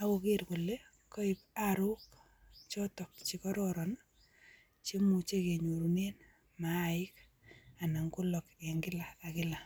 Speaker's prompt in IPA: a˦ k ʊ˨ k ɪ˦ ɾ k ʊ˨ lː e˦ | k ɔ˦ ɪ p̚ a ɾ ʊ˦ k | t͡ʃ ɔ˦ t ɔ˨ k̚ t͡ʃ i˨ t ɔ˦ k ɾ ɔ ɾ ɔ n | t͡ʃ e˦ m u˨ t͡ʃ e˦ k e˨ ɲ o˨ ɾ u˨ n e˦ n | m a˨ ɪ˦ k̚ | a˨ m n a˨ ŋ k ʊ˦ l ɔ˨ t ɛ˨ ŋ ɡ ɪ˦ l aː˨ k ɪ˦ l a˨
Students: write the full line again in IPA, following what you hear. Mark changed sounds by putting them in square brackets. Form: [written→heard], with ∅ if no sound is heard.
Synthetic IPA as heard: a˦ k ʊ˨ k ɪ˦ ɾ k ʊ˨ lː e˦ | k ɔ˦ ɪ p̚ a ɾ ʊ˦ k | t͡ʃ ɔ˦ t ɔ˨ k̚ t͡ʃ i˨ [t→k] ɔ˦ [k→∅] ɾ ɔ ɾ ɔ n | t͡ʃ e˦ m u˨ t͡ʃ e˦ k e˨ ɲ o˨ ɾ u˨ n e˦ n | m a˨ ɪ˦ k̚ | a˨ [m→∅] n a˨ ŋ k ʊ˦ l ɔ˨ [t→k] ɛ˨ ŋ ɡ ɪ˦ l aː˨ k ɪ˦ l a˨

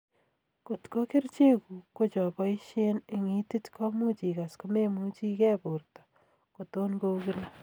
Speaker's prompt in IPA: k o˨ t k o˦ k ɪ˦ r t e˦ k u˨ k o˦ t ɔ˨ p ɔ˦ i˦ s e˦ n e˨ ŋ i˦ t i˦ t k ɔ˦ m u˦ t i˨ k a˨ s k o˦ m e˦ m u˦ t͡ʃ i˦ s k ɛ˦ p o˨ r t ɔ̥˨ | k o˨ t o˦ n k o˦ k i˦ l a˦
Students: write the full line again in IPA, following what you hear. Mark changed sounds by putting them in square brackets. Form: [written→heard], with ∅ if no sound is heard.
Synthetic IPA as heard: k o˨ t k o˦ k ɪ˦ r [t→t͡ʃ] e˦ k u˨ k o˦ [t→t͡ʃ] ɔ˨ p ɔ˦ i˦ [s→ʃ] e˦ n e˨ ŋ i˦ t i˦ t k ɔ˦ m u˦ [t→t͡ʃ] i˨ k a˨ s k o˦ m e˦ m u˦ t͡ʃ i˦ [s→∅] k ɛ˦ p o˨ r t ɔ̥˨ | k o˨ t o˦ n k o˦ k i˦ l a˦

